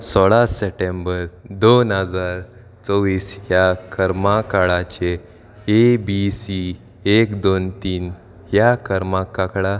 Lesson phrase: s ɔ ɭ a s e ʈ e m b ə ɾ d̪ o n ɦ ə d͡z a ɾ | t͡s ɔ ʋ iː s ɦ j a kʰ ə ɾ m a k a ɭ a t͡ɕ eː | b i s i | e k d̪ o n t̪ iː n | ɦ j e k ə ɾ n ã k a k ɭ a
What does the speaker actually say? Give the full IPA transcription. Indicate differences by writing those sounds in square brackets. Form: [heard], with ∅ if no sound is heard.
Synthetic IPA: s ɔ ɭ a s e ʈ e m b ə ɾ d̪ o n ɦ ə d͡z a ɾ | t͡s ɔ ʋ iː s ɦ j a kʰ ə ɾ m a k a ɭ a t͡ɕ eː | b i s i | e k d̪ o n t̪ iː n | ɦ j [a] k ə ɾ [m] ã k a k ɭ a